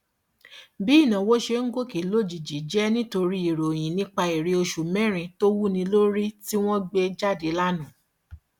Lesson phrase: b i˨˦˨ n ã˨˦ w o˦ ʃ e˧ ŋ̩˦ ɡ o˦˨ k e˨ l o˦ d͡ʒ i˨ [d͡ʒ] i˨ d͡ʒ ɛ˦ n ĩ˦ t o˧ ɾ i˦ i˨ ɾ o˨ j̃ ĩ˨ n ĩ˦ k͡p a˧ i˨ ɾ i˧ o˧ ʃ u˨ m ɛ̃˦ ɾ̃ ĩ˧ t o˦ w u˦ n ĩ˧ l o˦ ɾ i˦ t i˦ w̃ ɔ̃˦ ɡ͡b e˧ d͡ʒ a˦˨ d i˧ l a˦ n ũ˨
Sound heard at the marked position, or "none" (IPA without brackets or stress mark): d͡ʒ